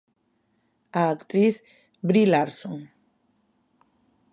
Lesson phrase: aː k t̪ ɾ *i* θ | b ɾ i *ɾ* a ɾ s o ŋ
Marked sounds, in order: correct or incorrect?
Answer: correct, incorrect

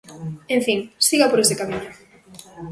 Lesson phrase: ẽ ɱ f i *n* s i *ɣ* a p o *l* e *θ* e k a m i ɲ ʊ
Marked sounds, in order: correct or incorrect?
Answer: incorrect, correct, incorrect, incorrect

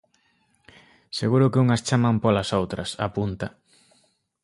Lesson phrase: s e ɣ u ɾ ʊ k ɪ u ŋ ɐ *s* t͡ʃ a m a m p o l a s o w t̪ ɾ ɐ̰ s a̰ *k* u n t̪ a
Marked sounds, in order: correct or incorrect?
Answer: correct, incorrect

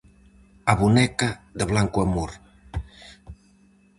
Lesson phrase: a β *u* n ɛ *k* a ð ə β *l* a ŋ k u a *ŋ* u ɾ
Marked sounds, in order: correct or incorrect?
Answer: correct, correct, correct, incorrect

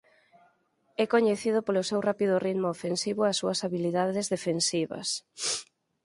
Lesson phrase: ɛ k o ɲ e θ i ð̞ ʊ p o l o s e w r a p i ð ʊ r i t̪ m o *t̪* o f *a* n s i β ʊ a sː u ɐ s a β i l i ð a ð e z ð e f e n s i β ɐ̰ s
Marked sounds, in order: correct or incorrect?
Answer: incorrect, incorrect

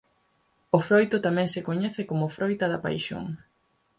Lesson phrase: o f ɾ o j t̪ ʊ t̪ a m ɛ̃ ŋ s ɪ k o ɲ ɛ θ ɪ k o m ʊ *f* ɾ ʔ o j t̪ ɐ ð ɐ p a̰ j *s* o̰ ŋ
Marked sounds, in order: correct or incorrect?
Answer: correct, incorrect

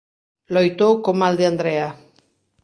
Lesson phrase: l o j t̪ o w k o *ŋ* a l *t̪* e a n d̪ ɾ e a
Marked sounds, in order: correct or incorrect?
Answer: incorrect, incorrect

